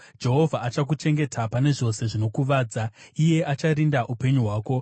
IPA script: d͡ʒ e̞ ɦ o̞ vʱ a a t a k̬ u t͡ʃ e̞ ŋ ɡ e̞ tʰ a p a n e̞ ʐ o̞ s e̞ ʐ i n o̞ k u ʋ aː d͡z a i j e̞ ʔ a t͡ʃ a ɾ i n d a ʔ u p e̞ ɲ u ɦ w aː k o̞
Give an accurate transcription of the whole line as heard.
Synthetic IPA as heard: d͡ʒ e̞ ɦ o̞ vʱ a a t͡ʃ a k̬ u t͡ʃ e̞ ŋ ɡ e̞ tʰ a p a n e̞ ʐ o̞ s e̞ ʐ i n o̞ k u ʋ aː d͡z a i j e̞ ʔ a t͡ʃ a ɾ i n d a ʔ u p e̞ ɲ u ɦ w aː k o̞